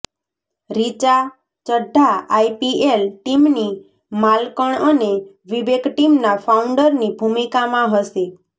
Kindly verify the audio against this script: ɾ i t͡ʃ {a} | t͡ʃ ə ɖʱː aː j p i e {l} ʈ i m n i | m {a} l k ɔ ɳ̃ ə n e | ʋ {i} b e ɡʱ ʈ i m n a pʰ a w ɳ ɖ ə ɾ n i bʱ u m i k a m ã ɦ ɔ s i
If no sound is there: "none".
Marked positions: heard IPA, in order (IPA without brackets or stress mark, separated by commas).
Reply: a, l, a, i